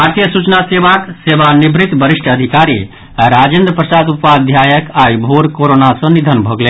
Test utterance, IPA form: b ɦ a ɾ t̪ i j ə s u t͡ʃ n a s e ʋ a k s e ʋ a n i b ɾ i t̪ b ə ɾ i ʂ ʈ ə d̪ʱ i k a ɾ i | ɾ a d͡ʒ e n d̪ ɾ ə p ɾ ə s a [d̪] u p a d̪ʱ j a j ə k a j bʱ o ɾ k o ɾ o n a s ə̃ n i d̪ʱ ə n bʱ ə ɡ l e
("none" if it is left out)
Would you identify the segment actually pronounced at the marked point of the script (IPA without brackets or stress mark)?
d̪